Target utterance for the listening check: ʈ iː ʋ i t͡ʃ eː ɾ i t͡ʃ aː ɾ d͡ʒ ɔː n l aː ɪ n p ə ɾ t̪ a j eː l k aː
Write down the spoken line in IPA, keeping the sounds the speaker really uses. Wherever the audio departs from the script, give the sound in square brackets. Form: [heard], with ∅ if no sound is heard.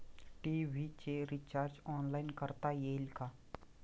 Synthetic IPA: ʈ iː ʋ i t͡ʃ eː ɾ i t͡ʃ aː ɾ d͡ʒ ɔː n l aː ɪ n [k] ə ɾ t̪ a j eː l k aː